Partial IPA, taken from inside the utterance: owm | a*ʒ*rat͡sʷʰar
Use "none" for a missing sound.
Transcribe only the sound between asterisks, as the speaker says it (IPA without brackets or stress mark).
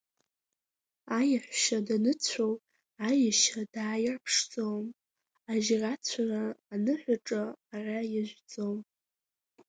ʒ